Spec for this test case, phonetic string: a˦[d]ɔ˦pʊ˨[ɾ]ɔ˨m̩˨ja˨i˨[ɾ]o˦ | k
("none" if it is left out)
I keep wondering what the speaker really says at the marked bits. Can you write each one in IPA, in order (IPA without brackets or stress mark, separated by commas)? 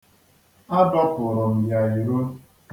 d, ɾ, ɾ